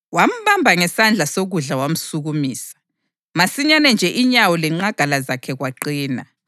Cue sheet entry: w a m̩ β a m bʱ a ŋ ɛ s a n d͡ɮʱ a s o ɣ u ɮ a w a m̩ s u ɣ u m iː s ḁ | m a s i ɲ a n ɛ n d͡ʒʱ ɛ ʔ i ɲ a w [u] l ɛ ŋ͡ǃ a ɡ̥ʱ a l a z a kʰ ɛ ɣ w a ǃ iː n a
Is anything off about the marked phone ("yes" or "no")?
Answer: yes